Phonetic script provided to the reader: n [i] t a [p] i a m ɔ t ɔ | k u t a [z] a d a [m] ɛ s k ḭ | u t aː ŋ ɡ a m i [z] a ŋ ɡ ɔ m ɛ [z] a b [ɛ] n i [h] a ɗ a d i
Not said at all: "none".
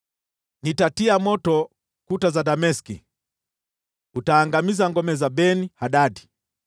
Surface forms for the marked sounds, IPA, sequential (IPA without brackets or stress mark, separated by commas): i, t, z, m, z, z, ɛ, h